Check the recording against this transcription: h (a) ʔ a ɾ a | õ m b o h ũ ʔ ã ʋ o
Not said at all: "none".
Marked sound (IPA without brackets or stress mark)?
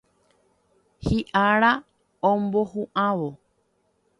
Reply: i